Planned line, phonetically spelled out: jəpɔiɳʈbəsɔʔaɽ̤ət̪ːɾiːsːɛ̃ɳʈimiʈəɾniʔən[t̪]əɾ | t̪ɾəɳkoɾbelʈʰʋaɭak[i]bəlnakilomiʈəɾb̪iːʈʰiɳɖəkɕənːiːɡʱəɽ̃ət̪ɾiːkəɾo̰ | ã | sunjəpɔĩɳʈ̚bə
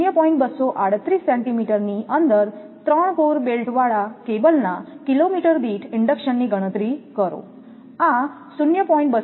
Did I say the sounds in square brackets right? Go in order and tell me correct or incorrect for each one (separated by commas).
incorrect, incorrect